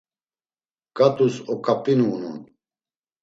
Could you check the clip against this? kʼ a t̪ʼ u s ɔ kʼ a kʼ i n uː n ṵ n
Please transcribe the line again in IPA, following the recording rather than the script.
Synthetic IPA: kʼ a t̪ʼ u s ɔ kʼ a pʼ i n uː n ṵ n